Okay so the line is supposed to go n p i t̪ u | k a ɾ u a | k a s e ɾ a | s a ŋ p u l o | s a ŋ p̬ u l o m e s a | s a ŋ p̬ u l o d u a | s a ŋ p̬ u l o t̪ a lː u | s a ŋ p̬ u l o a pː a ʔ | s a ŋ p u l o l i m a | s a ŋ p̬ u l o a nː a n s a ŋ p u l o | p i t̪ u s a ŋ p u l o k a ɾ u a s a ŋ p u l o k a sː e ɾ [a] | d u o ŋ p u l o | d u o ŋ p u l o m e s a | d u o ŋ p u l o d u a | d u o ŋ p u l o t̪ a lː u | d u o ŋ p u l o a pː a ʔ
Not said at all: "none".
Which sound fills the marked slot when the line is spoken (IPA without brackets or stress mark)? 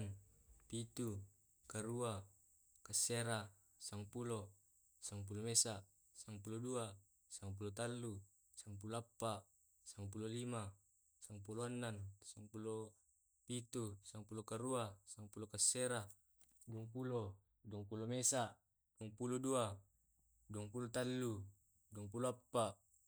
a